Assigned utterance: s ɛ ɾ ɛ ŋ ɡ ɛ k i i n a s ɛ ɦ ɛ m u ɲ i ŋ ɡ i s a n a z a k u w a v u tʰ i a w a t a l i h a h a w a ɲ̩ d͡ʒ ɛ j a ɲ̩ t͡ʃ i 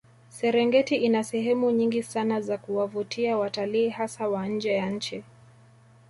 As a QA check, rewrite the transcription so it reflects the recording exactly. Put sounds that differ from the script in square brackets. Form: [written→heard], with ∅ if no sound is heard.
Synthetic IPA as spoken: s ɛ ɾ ɛ ŋ ɡ ɛ [k→t] i i n a s ɛ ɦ ɛ m u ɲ i ŋ ɡ i s a n a z a k u w a v u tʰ i a w a t a l [i→iː] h a [h→s] a w a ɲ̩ d͡ʒ ɛ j a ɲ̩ t͡ʃ i